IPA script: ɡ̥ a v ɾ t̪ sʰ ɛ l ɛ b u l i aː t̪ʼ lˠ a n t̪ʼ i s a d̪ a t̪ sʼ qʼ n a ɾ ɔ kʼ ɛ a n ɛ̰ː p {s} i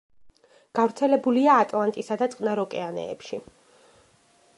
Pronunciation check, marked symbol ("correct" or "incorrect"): incorrect